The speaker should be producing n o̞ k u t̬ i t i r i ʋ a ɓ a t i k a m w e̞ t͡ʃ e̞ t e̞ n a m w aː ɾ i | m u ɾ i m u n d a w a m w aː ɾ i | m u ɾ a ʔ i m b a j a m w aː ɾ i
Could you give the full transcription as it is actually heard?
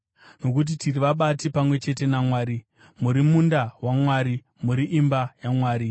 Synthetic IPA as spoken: n o̞ k u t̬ i t i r i ʋ a ɓ a t i p a m w e̞ t͡ʃ e̞ t e̞ n a m w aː ɾ i | m u ɾ i m u n d a w a m w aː ɾ i | m u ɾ i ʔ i m b a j a m w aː ɾ i